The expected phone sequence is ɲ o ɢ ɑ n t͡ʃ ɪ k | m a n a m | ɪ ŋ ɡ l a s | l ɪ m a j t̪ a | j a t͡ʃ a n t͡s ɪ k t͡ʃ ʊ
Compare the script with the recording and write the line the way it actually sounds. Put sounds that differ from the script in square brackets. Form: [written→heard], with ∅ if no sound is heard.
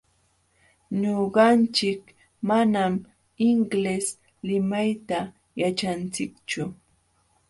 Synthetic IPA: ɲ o ɢ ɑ n t͡ʃ ɪ k | m a n a m | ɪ ŋ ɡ l [a→e] s | l ɪ m a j t̪ a | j a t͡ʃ a n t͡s ɪ k t͡ʃ ʊ

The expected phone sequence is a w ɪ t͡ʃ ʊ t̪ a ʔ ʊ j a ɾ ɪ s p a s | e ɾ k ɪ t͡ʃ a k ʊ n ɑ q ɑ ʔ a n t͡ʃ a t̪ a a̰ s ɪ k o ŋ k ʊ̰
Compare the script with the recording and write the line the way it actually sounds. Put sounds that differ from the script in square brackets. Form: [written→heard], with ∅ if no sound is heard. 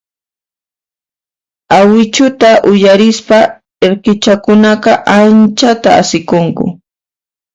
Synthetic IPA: a w ɪ t͡ʃ ʊ t̪ a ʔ ʊ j a ɾ ɪ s p a [s→∅] | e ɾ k ɪ t͡ʃ a k ʊ n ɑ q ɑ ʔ a n t͡ʃ a t̪ a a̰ s ɪ k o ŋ k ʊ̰

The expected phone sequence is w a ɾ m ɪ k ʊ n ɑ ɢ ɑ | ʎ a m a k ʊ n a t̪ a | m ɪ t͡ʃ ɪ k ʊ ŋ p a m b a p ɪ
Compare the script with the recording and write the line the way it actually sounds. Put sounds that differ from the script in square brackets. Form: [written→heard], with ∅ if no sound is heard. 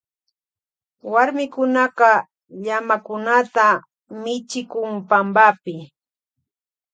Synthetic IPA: w a ɾ m ɪ k ʊ n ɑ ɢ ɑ | ʎ a m a k ʊ n a t̪ a | m ɪ t͡ʃ ɪ k ʊ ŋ p a m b a p ɪ

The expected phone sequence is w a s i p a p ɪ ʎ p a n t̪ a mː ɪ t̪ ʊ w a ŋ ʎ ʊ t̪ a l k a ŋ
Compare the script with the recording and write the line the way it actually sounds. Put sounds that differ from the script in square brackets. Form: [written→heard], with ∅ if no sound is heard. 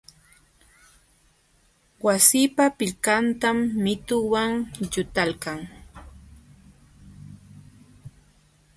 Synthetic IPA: w a s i p a p ɪ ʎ [p→k] a n t̪ a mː ɪ t̪ ʊ w a ŋ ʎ ʊ t̪ a l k a ŋ

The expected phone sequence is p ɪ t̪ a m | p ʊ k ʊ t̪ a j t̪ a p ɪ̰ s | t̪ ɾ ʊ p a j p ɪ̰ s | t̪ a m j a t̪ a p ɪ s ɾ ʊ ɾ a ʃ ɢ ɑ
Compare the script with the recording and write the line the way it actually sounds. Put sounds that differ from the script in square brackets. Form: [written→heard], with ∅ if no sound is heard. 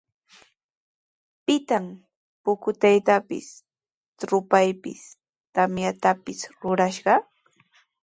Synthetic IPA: p ɪ t̪ a m | p ʊ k ʊ t̪ a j t̪ a p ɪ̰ s | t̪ ɾ ʊ p a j p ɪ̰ s | t̪ a m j a t̪ a p ɪ s ɾ ʊ ɾ a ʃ ɢ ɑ

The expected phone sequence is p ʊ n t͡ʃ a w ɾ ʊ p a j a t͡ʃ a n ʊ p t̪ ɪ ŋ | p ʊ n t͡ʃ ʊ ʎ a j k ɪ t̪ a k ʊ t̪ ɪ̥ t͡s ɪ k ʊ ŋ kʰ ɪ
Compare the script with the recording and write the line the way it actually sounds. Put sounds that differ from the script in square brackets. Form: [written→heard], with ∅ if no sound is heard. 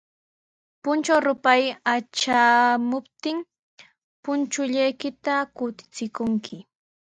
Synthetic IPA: p ʊ n t͡ʃ a w ɾ ʊ p a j a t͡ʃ a [n→m] ʊ p t̪ ɪ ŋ | p ʊ n t͡ʃ ʊ ʎ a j k ɪ t̪ a k ʊ t̪ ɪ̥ t͡s ɪ k ʊ ŋ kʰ ɪ

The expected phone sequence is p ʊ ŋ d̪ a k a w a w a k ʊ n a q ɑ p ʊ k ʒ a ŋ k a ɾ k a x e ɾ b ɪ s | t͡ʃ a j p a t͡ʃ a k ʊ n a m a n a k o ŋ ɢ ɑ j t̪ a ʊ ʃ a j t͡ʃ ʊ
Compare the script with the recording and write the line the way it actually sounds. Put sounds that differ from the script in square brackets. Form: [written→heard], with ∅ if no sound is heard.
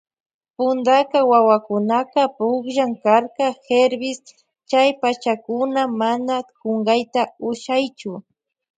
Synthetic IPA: p ʊ [ŋ→n] d̪ a k a w a w a k ʊ n a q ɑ p ʊ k ʒ a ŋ k a ɾ k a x e ɾ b ɪ s | t͡ʃ a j p a t͡ʃ a k ʊ n a m a n a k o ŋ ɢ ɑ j t̪ a ʊ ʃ a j t͡ʃ ʊ

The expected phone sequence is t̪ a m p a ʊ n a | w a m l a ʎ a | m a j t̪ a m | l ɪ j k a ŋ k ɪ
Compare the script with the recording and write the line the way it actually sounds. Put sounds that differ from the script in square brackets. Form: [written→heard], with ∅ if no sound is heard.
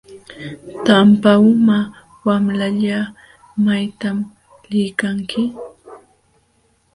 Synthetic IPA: t̪ a m p a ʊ [n→m] a | w a m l a ʎ a | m a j t̪ a m | l ɪ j k a ŋ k ɪ

